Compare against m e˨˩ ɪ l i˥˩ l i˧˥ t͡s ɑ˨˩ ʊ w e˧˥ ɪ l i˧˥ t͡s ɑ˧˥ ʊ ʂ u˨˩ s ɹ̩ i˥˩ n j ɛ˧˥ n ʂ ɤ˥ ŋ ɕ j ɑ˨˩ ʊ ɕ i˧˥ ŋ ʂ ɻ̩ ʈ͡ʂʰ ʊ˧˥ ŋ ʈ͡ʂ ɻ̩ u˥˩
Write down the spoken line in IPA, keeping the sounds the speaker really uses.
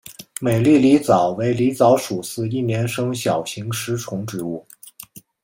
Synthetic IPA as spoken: m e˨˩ ɪ l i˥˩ l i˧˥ t͡s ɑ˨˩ ʊ w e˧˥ ɪ l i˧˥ t͡s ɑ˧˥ ʊ ʂ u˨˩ s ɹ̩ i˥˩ n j ɛ˧˥ n ʂ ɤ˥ ŋ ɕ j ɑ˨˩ ʊ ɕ i˧˥ ŋ ʂ ɻ̩ ʈ͡ʂʰ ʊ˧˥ ŋ ʈ͡ʂ ɻ̩ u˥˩